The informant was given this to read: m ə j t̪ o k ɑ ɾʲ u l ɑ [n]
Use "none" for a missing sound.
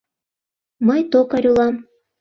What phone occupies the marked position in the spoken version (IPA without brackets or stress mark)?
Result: m